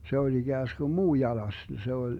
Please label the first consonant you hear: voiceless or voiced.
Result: voiceless